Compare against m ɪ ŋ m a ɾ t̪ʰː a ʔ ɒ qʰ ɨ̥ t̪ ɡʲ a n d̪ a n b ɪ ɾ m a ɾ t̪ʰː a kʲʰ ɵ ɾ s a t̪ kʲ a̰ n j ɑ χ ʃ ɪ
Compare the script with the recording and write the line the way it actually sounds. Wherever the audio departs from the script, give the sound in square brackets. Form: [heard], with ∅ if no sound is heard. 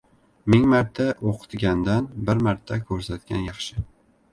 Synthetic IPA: m ɪ ŋ m a ɾ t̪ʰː a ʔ [o] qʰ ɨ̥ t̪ ɡʲ a n d̪ a n b ɪ ɾ m a ɾ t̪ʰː a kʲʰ ɵ ɾ s a t̪ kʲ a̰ n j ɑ χ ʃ ɪ